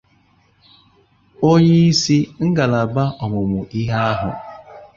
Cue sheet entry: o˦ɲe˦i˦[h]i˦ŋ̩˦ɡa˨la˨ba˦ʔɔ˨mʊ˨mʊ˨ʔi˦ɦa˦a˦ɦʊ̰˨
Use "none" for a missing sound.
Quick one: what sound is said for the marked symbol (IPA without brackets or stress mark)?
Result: s